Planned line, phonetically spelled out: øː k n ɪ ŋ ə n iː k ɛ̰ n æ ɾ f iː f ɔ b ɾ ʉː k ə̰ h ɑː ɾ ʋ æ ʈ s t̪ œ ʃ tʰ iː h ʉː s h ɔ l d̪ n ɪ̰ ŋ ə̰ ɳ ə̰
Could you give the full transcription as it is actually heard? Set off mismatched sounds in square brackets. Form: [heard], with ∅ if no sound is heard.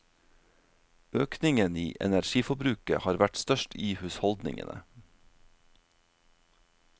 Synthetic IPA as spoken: øː k n ɪ ŋ ə n iː [ʔ] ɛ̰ n æ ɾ [ʃ] iː f ɔ b ɾ ʉː k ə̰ h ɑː ɾ ʋ æ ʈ s t̪ œ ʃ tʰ iː h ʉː s h ɔ l d̪ n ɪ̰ ŋ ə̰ [n] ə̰

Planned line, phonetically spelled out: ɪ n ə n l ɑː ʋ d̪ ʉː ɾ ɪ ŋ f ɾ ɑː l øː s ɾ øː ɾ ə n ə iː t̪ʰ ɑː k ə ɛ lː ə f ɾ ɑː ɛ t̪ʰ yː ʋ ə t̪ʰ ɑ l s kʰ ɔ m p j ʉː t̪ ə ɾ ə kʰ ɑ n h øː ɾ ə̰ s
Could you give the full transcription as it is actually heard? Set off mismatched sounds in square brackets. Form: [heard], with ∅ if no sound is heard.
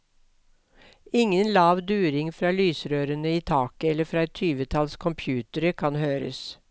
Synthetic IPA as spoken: ɪ [ŋ] ə n l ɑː ʋ d̪ ʉː ɾ ɪ ŋ f ɾ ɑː l [yː] s ɾ øː ɾ ə n ə iː t̪ʰ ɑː k ə ɛ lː ə f ɾ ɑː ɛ t̪ʰ yː ʋ ə t̪ʰ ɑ l s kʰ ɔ m [pʰ] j ʉː t̪ ə ɾ ə kʰ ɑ n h øː ɾ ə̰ s

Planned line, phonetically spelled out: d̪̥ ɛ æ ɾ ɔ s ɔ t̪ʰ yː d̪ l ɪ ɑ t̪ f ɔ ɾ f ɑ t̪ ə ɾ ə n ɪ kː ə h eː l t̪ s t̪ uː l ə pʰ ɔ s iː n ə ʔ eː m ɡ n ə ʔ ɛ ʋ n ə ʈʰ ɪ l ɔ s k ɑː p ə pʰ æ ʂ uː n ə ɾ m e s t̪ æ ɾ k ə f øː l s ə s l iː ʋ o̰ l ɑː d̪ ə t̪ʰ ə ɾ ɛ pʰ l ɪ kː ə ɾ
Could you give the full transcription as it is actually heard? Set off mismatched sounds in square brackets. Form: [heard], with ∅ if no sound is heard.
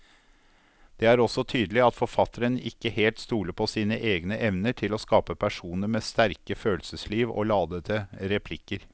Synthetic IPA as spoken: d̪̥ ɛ æ ɾ ɔ s ɔ t̪ʰ yː d̪ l ɪ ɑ t̪ f ɔ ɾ f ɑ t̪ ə ɾ ə n ɪ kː ə h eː l t̪ s t̪ uː l ə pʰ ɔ s iː n ə ʔ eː [∅] ɡ n ə ʔ ɛ ʋ n ə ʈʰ ɪ l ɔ s k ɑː p ə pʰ æ ʂ uː n ə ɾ m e s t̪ æ ɾ k ə f øː l s ə s l iː ʋ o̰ l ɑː d̪ ə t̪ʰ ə ɾ ɛ pʰ l ɪ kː ə ɾ

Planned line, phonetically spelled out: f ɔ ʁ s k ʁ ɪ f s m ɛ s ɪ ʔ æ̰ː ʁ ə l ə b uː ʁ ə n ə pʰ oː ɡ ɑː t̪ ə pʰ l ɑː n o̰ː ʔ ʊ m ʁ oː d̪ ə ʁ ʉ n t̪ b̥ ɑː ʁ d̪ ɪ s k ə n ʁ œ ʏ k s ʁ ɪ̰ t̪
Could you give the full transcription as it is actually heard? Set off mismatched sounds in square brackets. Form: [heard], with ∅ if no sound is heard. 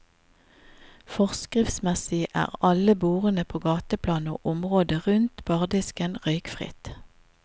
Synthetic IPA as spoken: f ɔ ʁ s k ʁ ɪ f s m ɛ s ɪ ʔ æ̰ː ʁ [ɑ] l ə b uː ʁ ə n ə pʰ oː ɡ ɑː t̪ ə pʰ l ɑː n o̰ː ʔ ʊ m ʁ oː d̪ ə ʁ ʉ n t̪ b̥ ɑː ʁ d̪ ɪ s k ə n ʁ œ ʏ k [f] ʁ ɪ̰ t̪

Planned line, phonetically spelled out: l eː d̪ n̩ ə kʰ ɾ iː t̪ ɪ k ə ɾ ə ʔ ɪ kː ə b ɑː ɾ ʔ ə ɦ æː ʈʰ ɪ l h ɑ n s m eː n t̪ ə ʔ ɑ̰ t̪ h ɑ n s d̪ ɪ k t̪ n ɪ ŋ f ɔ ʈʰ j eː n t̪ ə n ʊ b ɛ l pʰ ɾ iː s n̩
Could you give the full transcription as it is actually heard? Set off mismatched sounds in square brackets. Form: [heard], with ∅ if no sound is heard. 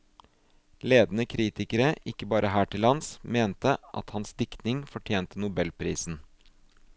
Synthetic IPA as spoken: l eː d̪ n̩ ə kʰ ɾ iː t̪ ɪ k ə ɾ ə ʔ ɪ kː ə b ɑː ɾ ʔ ə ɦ æː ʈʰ ɪ l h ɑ n s m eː n t̪ ə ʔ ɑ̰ t̪ h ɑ n s d̪ ɪ k t̪ n ɪ ŋ f ɔ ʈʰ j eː n t̪ ə n ʊ b ɛ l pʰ ɾ iː s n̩

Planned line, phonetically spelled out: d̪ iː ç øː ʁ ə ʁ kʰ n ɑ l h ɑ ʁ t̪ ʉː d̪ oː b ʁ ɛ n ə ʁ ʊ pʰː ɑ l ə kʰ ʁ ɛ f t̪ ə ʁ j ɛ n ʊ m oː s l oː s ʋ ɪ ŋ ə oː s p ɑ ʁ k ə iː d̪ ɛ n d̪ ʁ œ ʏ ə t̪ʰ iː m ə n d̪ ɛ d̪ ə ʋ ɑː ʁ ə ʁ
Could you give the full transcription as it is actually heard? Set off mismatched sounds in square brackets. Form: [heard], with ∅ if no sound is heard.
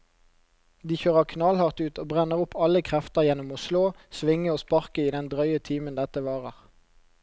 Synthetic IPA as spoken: d̪ iː ç øː ʁ ə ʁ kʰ n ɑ l h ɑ ʁ t̪ ʉː [t̪] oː b ʁ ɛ n ə ʁ ʊ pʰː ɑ l ə kʰ ʁ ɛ f t̪ ə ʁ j ɛ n ʊ m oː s l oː s ʋ ɪ ŋ ə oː s p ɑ ʁ k ə iː d̪ ɛ n d̪ ʁ œ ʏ ə t̪ʰ iː m ə n d̪ ɛ [t̪] ə ʋ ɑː ʁ ə ʁ

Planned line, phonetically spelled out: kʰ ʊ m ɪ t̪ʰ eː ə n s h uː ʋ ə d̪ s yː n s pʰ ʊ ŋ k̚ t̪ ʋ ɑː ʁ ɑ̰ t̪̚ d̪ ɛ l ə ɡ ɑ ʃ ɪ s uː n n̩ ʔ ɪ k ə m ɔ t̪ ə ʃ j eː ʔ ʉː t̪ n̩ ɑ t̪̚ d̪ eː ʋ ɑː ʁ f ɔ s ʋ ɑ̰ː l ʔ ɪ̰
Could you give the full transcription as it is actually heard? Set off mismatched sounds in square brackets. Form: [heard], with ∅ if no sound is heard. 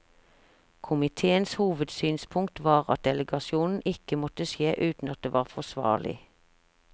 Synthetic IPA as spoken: kʰ ʊ m ɪ t̪ʰ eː ə n s h uː ʋ ə d̪ s yː n s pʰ ʊ ŋ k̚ t̪ ʋ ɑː ʁ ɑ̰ t̪̚ d̪ ɛ l ə ɡ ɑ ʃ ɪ [∅] uː n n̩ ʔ ɪ k ə m ɔ t̪ ə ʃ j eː ʔ ʉː t̪ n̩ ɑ t̪̚ d̪ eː ʋ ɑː ʁ f ɔ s ʋ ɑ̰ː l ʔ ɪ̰

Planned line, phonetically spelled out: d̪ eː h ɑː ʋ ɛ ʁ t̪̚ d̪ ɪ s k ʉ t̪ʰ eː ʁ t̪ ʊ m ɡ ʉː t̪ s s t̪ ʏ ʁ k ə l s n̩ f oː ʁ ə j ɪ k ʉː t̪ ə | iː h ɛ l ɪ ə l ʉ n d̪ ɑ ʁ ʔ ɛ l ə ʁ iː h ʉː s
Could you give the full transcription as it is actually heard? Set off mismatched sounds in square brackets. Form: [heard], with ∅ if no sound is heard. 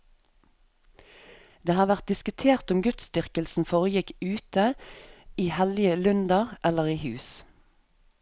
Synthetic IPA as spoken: d̪ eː h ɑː ʋ [æ] ʁ t̪̚ d̪ ɪ s k ʉ t̪ʰ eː ʁ t̪ ʊ m ɡ [ʉ] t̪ s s t̪ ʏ ʁ k ə l s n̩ f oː ʁ ə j ɪ k ʉː t̪ ə | iː h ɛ l ɪ ə l ʉ n d̪ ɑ ʁ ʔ ɛ l ə ʁ iː h ʉː s

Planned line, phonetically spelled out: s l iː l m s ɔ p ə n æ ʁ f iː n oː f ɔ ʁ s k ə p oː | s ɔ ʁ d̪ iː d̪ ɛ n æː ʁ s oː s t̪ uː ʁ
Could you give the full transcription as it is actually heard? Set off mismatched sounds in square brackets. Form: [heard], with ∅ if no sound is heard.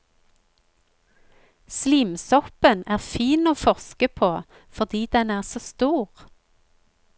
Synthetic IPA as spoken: s l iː [∅] m s ɔ p ə n [æː] ʁ f iː n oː f ɔ ʁ s k ə [pʰ] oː | [f] ɔ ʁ d̪ iː d̪ ɛ n æː ʁ s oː s t̪ uː ʁ

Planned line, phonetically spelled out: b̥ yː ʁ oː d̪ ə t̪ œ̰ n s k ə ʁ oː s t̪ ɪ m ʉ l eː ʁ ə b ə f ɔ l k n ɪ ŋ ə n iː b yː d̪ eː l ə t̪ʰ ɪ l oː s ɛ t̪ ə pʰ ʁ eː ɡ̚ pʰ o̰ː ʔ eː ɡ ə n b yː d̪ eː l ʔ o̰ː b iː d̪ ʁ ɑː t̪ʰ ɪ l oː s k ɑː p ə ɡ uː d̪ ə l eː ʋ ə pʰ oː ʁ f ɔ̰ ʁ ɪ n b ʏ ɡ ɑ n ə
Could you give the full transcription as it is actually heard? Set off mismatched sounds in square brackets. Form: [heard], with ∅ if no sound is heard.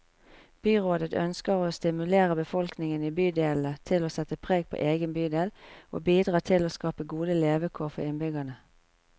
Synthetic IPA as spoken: b̥ yː ʁ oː d̪ ə t̪ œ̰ n s k ə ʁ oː s t̪ ɪ m ʉ l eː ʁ ə b ə f ɔ l k n ɪ ŋ ə n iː b yː d̪ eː l ə t̪ʰ ɪ l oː s ɛ t̪ ə pʰ ʁ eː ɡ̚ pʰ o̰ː ʔ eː ɡ ə n b yː d̪ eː l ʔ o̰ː b iː d̪ ʁ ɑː t̪ʰ ɪ l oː s k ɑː p ə ɡ uː d̪ ə l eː ʋ ə [kʰ] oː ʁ f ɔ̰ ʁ ɪ n b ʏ ɡ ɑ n ə

